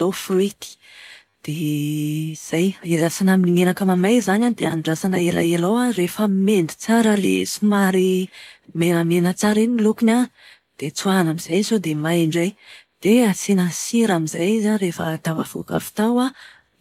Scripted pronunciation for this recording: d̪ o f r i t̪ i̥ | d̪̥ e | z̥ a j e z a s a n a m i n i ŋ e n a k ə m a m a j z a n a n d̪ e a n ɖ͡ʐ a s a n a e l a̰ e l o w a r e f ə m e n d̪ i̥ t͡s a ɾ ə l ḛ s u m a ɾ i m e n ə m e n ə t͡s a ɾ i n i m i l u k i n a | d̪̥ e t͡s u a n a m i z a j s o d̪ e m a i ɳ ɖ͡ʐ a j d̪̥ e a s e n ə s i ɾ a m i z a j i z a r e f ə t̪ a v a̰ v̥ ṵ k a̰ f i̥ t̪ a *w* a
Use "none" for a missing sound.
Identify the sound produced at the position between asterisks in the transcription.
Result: w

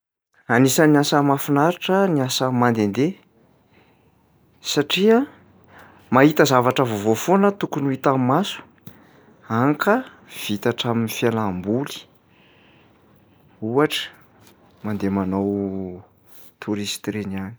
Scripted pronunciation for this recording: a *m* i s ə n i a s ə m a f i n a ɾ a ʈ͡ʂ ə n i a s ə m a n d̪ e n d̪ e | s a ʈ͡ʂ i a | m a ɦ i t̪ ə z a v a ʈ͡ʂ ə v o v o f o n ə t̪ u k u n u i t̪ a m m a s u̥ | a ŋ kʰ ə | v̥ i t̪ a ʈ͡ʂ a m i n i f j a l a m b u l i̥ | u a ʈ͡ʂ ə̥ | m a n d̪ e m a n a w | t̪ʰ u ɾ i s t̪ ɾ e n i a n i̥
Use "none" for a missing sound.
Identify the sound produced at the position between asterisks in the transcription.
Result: n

